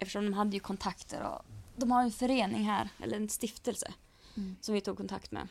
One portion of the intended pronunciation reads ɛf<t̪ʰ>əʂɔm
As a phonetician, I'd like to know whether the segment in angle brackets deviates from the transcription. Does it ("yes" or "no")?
yes